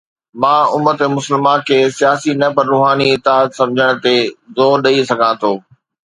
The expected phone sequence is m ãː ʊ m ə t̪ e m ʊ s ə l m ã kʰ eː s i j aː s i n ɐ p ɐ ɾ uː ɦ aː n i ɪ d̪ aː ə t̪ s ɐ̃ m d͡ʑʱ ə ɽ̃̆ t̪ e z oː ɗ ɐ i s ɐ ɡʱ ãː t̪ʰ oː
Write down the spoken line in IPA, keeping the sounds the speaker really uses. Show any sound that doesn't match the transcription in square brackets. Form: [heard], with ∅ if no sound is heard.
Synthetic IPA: m ãː ʊ m ə t̪ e m ʊ s ə l m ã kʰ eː s i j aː s i n ɐ p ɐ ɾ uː ɦ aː n i ɪ [t̪] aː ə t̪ s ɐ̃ m d͡ʑʱ ə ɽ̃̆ t̪ e z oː ɗ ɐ i s ɐ ɡʱ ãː t̪ʰ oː